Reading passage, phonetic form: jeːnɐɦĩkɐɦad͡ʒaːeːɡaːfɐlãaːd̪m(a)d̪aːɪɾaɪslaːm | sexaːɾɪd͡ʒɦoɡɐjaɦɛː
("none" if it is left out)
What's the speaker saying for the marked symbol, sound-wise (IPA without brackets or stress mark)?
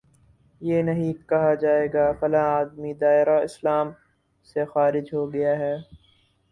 i